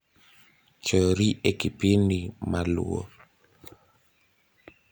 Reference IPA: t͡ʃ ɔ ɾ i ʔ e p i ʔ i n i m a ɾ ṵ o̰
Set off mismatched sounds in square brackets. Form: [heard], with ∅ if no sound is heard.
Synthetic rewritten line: t͡ʃ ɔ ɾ i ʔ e [k] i [p] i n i m a [l] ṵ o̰

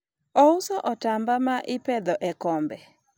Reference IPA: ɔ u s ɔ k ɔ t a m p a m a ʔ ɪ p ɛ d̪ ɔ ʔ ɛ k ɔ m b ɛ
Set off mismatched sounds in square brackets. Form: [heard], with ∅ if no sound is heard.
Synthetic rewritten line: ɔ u s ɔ [ʔ] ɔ t a m [b] a m a ʔ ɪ p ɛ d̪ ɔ ʔ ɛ k ɔ m b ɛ

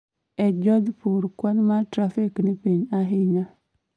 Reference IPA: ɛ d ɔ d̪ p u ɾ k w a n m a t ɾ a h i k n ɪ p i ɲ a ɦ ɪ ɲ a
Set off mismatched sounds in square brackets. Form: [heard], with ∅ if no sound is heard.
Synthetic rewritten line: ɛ [d͡ʒ] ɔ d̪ p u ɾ k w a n m a t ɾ a [f] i k n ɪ p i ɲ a ɦ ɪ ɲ a

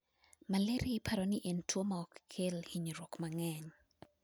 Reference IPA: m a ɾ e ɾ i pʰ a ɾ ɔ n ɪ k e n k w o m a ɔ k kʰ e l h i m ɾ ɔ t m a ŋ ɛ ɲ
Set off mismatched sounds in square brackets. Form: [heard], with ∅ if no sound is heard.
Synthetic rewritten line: m a [l] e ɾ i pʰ a ɾ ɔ n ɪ [ʔ] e n [t] w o m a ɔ k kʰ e l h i [ɲ] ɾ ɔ [k] m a ŋ ɛ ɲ

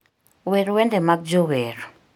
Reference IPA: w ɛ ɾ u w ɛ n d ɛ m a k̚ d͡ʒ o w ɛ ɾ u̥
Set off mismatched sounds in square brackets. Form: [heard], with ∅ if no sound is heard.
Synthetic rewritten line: w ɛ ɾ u w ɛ n d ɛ m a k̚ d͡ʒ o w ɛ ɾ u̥

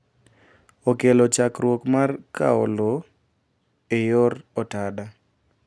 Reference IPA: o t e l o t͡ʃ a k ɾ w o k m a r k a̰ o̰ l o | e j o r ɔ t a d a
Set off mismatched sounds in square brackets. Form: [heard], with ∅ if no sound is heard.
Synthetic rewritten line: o [k] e l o t͡ʃ a k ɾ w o k m a r k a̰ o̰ l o | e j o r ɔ t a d a

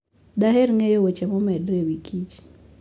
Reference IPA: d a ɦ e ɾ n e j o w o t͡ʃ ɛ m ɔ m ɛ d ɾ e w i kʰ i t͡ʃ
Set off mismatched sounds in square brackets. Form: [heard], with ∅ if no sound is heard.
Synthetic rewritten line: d a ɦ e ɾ [ŋ] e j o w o t͡ʃ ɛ m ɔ m ɛ d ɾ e w i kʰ i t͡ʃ

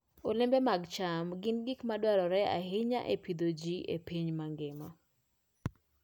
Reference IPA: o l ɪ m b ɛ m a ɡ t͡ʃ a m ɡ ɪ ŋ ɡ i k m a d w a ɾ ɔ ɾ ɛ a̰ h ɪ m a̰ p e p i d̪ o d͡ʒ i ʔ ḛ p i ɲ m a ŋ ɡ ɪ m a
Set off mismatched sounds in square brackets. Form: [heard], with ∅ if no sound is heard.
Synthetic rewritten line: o l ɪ m b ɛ m a ɡ t͡ʃ a m ɡ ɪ [n] ɡ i k m a d w a ɾ ɔ ɾ ɛ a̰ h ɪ [ɲ] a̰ [ʔ] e p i d̪ o d͡ʒ i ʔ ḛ p i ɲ m a ŋ ɡ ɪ m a

